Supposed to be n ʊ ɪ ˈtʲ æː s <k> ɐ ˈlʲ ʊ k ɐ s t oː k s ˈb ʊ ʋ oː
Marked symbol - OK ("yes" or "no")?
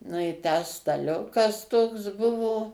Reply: no